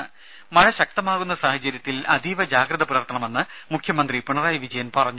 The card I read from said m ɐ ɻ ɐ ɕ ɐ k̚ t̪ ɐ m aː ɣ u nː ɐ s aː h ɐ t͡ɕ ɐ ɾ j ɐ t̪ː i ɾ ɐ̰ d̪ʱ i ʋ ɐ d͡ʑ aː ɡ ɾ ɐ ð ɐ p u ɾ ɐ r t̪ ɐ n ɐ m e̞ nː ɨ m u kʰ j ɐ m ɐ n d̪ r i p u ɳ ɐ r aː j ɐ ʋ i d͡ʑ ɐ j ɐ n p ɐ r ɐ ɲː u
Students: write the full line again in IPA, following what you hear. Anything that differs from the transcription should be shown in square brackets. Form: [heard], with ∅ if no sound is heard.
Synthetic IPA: m ɐ ɻ ɐ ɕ ɐ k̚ t̪ ɐ m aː ɣ u nː ɐ s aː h ɐ t͡ɕ ɐ ɾ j ɐ t̪ː i [l] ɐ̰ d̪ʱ i ʋ ɐ d͡ʑ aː ɡ ɾ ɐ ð ɐ p u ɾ ɐ r t̪ ɐ [ɳ] ɐ m e̞ nː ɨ m u kʰ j ɐ m ɐ n d̪ r i p u ɳ ɐ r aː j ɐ ʋ i d͡ʑ ɐ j ɐ n p ɐ r ɐ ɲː u